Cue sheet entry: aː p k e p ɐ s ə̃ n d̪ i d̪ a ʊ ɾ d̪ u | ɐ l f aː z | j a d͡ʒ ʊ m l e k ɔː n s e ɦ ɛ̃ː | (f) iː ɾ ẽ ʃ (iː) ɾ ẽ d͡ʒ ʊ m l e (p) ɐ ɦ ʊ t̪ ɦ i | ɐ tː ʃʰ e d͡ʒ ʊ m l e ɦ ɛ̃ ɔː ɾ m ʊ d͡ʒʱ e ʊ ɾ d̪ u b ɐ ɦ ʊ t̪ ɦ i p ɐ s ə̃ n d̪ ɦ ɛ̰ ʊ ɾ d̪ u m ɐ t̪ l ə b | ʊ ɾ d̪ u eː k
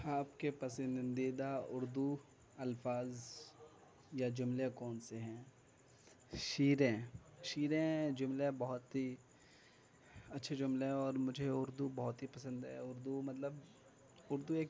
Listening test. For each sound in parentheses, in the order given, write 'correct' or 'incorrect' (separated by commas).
incorrect, correct, incorrect